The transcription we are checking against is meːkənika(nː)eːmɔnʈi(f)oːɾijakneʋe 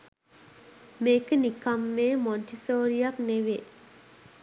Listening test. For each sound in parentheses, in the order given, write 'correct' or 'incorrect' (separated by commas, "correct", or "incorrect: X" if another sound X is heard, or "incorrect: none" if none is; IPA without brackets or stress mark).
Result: incorrect: mː, incorrect: s